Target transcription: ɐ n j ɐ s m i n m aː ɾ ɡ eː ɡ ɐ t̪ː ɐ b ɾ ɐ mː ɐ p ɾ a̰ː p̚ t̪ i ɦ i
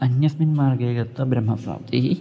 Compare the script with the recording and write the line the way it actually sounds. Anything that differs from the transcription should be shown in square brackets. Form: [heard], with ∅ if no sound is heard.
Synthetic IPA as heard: ɐ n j ɐ s m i n m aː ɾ ɡ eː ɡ ɐ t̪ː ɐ b ɾ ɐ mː ɐ p ɾ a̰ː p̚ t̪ i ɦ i